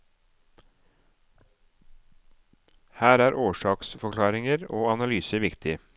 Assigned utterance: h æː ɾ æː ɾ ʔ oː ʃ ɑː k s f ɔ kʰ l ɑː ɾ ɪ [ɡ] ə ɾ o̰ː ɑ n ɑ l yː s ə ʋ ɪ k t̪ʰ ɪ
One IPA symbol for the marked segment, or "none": ŋ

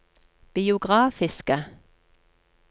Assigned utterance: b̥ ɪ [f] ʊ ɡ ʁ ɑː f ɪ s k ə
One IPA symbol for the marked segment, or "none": none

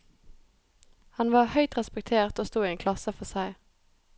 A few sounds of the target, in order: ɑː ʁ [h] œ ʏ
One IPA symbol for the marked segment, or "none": h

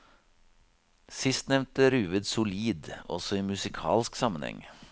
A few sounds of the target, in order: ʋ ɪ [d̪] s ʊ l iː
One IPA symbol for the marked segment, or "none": d̪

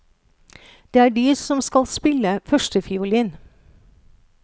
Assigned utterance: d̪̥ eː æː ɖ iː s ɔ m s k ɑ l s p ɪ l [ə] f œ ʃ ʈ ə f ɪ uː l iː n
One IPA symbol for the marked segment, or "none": ə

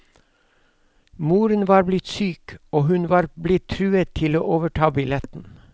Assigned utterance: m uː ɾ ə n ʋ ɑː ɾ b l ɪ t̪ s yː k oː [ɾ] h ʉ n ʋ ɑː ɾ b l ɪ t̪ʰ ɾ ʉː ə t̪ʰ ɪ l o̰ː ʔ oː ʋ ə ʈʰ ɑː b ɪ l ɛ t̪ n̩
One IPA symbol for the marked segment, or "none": none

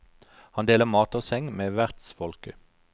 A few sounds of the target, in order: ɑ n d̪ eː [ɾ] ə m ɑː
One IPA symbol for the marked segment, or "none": l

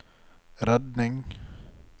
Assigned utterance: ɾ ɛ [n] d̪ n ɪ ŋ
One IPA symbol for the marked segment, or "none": none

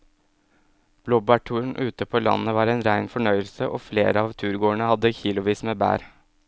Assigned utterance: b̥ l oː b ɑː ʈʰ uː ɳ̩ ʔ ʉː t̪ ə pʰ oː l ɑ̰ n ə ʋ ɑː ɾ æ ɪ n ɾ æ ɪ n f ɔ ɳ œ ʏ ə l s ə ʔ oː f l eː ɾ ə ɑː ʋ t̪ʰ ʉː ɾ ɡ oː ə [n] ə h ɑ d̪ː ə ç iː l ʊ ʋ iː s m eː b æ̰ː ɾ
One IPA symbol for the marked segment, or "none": ɳ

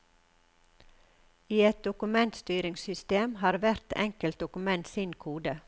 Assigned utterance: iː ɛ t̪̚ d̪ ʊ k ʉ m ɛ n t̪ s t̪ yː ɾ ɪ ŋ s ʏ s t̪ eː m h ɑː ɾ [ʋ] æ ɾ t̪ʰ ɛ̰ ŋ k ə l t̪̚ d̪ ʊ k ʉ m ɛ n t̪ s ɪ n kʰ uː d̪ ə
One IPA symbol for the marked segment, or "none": ʋ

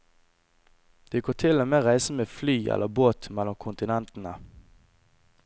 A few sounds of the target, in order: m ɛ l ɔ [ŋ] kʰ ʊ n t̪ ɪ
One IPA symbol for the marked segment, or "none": m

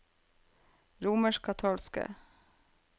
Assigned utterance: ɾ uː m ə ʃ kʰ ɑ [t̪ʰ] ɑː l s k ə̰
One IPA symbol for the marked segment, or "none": t̪ʰ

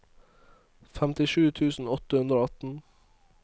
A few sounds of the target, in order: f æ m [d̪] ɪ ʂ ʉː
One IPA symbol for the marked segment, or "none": t̪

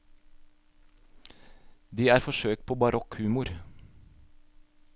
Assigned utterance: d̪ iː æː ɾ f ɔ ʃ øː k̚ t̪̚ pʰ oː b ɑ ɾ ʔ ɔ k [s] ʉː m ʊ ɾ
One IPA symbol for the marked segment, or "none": h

